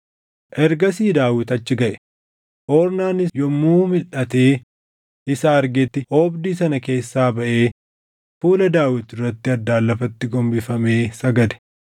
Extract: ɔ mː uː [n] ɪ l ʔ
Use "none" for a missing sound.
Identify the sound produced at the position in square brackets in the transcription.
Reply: m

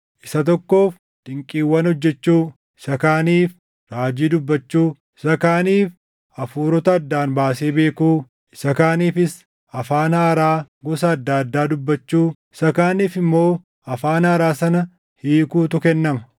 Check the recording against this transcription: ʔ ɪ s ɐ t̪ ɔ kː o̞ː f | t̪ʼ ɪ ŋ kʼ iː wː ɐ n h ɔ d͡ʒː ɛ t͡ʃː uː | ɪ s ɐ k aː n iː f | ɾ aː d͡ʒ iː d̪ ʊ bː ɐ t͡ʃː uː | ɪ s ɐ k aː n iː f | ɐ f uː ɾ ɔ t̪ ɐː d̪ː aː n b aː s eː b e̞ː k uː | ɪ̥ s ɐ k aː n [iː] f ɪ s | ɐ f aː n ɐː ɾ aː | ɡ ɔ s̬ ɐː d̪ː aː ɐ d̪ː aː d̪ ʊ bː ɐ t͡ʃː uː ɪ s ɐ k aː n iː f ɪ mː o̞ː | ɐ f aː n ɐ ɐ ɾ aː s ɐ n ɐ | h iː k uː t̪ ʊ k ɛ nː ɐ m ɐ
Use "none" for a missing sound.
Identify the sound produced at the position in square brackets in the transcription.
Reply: iː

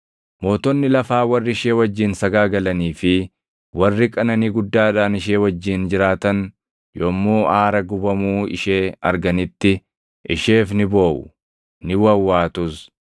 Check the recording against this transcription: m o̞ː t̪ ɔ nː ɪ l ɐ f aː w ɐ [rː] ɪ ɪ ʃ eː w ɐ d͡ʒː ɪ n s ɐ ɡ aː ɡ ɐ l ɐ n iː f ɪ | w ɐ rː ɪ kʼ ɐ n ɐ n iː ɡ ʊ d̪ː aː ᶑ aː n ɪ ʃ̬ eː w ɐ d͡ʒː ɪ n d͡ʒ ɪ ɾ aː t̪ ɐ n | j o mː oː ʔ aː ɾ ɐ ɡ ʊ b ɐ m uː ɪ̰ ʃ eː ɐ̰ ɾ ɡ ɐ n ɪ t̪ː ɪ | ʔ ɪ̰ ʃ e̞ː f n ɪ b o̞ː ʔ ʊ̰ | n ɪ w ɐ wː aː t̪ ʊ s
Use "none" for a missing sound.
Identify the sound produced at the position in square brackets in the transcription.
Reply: rː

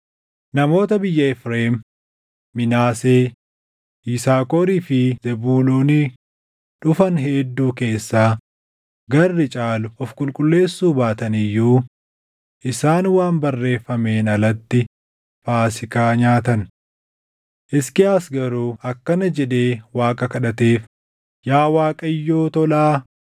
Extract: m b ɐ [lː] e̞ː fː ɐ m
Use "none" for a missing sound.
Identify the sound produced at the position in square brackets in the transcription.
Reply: rː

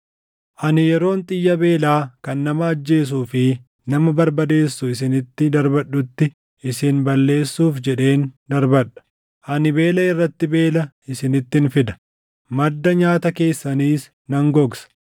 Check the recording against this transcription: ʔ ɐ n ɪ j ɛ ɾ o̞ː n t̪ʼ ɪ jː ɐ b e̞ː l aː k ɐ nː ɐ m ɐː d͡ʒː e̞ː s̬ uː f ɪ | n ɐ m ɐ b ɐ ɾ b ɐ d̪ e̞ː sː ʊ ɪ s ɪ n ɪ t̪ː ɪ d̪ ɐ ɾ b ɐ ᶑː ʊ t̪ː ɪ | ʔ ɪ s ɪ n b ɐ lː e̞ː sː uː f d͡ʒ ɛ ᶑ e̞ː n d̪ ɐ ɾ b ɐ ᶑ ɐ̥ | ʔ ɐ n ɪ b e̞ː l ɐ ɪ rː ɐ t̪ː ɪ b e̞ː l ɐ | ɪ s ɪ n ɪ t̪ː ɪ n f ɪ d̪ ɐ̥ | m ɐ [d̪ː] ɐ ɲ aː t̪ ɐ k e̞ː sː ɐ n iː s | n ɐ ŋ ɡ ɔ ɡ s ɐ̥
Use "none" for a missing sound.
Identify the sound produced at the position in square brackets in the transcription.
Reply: d̪ː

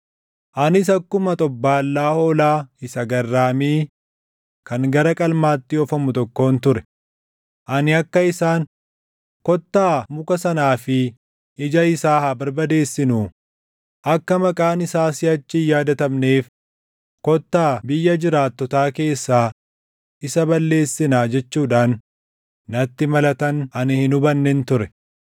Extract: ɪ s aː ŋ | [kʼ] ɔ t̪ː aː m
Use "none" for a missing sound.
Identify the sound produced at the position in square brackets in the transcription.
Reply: k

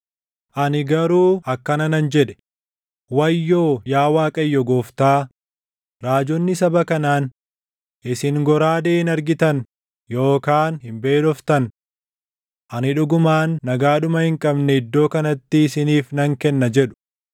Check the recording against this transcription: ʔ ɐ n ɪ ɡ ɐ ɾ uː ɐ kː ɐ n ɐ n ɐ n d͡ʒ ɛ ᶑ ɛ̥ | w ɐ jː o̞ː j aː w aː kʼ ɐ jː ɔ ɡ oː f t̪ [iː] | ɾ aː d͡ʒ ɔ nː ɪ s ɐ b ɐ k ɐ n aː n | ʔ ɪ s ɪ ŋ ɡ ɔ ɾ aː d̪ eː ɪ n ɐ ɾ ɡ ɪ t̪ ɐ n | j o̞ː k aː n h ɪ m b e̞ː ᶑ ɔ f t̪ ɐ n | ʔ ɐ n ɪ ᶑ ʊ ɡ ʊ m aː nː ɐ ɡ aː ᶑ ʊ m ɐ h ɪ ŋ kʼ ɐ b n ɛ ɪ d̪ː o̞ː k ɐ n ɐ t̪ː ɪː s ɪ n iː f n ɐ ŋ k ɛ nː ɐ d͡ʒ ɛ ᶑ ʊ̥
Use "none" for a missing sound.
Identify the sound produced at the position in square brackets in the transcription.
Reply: aː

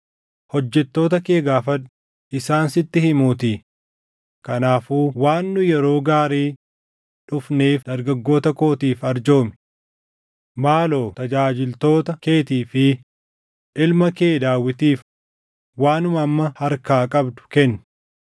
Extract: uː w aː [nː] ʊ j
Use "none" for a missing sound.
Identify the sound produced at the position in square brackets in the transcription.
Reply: nː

